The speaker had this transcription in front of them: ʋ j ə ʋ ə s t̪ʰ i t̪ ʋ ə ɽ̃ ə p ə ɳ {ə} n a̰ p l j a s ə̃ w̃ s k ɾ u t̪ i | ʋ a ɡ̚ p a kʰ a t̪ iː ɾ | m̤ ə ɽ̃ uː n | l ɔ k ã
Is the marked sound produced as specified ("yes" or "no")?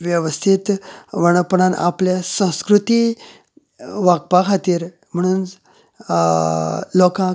no